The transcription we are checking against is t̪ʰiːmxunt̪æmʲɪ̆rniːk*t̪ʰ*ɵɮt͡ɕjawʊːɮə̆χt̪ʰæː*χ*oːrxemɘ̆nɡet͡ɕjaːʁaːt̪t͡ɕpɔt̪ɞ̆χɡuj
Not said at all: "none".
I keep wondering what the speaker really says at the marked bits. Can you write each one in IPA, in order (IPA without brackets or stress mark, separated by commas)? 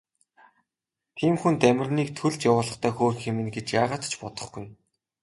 t̪ʰ, x